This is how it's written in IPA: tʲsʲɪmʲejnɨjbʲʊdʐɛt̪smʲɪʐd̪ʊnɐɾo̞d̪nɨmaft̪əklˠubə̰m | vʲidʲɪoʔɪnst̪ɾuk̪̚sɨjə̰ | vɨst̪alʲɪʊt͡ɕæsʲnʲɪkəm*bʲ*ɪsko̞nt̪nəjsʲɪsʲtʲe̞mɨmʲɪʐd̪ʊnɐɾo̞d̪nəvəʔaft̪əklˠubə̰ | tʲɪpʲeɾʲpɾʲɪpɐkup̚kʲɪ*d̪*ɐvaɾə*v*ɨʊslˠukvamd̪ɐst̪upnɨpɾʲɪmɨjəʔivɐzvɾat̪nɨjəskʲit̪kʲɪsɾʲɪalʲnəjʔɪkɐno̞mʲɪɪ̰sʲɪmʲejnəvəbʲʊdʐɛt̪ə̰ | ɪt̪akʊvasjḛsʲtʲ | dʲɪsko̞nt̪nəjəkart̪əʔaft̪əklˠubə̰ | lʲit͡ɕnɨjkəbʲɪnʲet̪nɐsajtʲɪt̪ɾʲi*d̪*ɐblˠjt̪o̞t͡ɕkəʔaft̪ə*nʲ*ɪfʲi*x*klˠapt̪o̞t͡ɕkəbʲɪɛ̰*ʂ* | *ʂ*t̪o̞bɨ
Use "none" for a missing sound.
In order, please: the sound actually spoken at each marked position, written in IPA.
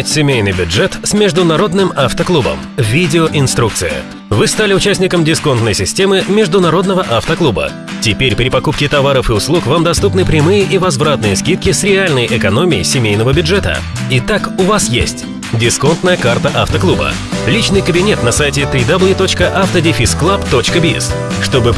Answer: dʲ, t̪, f, d̪, dʲ, s, s, ʂ

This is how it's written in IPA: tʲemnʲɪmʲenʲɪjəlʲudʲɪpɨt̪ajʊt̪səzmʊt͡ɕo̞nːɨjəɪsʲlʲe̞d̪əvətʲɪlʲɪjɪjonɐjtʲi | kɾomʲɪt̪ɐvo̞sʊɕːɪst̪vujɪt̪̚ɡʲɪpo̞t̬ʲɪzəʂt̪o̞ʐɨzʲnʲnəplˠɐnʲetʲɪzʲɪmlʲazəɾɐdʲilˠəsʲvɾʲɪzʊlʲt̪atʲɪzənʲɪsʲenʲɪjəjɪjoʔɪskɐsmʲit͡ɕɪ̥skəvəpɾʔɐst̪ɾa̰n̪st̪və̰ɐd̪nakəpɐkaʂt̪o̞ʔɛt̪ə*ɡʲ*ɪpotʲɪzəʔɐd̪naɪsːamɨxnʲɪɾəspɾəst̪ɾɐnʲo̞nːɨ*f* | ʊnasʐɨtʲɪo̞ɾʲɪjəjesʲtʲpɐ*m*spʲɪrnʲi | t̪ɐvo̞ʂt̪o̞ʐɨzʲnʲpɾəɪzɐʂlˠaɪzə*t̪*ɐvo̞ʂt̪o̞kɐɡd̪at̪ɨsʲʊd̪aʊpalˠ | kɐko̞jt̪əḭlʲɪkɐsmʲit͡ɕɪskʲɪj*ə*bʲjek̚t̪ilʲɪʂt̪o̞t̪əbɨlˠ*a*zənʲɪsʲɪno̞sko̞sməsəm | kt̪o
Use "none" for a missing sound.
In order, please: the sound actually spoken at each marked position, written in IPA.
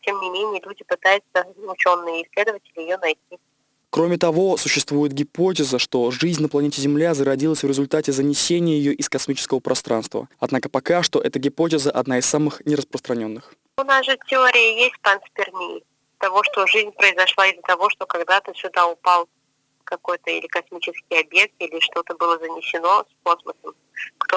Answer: ɡʲ, x, n, t̪, ɐ, ə

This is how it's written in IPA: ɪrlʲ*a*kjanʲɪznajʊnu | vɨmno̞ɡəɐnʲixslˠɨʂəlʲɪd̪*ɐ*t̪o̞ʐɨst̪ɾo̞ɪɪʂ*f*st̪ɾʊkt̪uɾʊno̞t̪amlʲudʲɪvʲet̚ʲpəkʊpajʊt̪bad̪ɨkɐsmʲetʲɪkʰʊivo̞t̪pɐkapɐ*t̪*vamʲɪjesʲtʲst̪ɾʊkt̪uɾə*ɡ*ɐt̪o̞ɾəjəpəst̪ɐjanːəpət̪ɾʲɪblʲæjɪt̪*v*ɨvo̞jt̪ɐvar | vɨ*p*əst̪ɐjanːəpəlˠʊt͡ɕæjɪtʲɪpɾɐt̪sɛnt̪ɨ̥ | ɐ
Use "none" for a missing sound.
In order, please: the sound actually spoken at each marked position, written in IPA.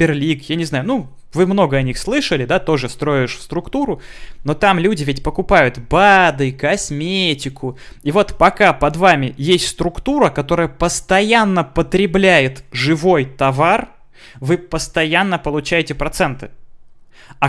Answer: i, a, f, d̪, k, ʐ, p

